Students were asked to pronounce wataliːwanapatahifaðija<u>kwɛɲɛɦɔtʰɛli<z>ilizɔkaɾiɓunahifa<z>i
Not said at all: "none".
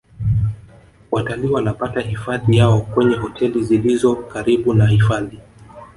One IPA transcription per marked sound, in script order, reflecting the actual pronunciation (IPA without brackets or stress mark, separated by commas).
ɔ, z, ð